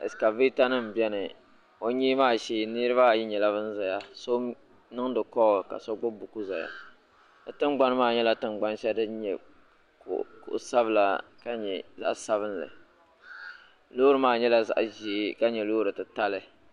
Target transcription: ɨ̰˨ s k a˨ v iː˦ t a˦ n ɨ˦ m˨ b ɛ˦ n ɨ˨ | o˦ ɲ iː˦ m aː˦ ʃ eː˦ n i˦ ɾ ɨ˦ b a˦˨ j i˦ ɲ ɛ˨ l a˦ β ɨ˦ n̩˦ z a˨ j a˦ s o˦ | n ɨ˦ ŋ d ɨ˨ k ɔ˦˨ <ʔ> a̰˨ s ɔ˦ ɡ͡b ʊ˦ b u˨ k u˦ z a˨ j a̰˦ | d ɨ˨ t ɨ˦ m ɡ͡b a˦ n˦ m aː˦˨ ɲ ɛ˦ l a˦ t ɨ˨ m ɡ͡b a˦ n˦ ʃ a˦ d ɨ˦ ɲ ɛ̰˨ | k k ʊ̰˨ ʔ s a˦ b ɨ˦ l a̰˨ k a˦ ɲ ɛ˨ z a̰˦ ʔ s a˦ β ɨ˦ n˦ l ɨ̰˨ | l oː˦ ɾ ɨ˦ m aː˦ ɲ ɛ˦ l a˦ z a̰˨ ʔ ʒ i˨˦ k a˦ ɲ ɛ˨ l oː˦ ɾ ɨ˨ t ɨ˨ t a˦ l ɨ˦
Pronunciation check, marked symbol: incorrect: k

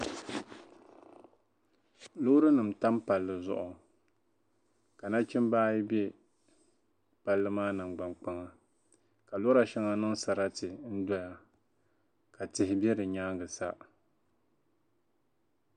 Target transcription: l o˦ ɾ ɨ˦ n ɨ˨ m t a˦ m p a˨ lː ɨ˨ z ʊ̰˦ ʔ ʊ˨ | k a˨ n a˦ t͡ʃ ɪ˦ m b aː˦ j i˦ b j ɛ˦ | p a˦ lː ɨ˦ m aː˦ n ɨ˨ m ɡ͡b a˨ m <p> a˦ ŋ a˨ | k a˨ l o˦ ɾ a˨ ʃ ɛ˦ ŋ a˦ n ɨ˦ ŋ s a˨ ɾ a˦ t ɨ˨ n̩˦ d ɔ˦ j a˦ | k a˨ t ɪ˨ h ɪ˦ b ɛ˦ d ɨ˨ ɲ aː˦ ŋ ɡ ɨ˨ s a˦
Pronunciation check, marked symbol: incorrect: k͡p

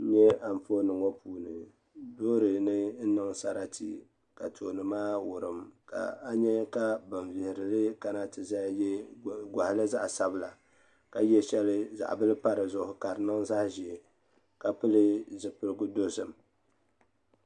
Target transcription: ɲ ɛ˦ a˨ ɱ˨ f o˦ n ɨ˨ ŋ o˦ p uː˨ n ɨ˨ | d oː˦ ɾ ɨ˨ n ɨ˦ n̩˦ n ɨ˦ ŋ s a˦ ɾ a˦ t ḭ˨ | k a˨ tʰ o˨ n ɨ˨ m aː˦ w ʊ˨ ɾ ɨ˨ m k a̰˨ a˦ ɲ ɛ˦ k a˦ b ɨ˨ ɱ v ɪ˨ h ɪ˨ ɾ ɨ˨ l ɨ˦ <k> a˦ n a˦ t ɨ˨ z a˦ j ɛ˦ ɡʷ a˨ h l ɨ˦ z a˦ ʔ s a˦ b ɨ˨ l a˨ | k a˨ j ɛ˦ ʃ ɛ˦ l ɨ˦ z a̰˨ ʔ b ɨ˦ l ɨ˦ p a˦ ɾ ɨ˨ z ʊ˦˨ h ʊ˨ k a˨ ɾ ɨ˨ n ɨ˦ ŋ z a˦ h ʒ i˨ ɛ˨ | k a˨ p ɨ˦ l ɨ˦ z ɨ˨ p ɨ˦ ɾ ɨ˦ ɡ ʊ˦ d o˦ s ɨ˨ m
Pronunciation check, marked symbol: correct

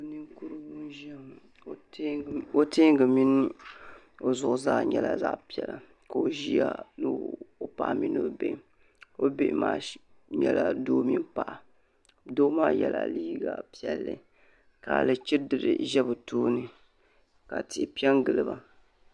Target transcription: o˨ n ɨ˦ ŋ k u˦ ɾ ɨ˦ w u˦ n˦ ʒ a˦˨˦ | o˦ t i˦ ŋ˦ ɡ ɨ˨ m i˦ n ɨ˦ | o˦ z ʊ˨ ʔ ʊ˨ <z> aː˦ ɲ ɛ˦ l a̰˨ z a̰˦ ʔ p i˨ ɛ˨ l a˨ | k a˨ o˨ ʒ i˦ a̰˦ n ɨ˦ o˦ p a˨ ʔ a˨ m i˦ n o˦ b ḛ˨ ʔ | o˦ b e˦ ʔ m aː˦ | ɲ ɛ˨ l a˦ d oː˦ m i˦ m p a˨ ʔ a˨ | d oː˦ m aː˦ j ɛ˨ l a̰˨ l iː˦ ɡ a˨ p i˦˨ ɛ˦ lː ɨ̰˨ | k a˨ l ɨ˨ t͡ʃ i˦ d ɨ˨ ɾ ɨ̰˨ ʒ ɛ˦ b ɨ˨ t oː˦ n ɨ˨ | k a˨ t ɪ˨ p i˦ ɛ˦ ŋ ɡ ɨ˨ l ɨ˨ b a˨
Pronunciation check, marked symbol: correct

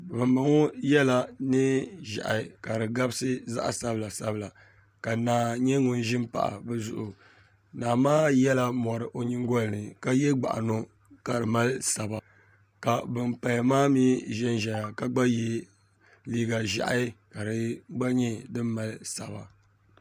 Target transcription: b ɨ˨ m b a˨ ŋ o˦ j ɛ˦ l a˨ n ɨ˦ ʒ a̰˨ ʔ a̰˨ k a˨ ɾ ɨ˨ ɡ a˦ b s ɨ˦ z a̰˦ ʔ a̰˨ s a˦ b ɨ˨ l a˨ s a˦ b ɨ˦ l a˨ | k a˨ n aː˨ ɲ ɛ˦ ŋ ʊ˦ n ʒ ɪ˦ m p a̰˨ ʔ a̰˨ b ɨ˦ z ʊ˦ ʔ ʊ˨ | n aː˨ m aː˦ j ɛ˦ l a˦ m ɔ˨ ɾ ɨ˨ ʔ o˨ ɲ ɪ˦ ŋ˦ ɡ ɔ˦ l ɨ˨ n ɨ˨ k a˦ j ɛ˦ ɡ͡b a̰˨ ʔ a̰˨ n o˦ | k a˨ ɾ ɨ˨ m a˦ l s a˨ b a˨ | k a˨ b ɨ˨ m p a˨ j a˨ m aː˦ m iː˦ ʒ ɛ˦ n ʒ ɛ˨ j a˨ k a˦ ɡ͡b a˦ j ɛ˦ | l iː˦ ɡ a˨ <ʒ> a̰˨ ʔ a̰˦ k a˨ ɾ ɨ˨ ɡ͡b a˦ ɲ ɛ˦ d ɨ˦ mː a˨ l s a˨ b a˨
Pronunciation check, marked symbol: correct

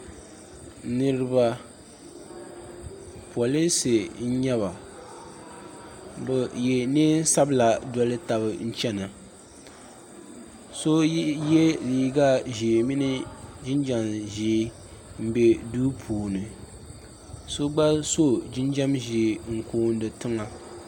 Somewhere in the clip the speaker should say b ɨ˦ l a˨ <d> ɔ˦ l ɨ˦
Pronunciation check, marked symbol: correct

